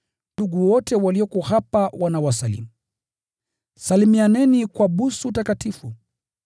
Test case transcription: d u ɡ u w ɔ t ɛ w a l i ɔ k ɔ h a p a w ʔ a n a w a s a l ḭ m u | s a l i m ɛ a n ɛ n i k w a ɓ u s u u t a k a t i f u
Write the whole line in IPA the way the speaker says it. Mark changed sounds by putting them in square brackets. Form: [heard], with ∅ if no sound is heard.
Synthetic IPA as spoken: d u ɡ u w ɔ t ɛ w a l i ɔ k ɔ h a p a w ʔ a n a w a s a l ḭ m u | s a l i m [i] a n ɛ n i k w a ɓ u s u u t a k a t i f u